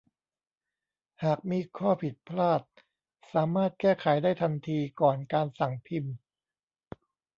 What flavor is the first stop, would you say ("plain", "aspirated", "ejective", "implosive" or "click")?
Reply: plain